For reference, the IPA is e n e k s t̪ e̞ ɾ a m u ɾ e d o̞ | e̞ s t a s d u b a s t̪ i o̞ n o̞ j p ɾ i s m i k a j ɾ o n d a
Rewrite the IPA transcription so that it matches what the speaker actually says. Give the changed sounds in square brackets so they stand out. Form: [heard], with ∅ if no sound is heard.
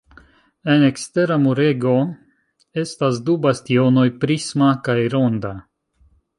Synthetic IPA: e n e k s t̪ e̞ ɾ a m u ɾ e [ɡ] o̞ | e̞ s t a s d u b a s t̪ i o̞ n o̞ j p ɾ i s m [a] k a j ɾ o n d a